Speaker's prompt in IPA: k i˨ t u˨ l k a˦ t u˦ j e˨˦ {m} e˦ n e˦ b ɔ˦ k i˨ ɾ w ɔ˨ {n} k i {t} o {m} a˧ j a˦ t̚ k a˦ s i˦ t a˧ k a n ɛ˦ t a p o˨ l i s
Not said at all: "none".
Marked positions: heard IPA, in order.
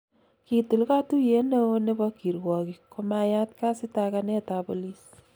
n, none, k, m

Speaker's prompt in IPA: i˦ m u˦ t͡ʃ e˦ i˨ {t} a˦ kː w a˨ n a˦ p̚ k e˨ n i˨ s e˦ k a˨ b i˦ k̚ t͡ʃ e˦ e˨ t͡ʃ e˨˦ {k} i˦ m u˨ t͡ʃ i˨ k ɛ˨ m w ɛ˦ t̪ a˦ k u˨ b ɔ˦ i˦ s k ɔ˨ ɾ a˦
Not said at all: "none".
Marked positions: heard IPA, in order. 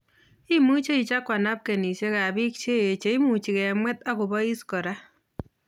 t͡ʃ, none

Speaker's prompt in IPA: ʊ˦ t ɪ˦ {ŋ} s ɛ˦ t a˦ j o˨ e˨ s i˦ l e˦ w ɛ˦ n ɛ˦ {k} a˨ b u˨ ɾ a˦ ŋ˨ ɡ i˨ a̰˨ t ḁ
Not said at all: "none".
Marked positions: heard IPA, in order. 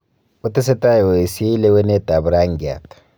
none, t

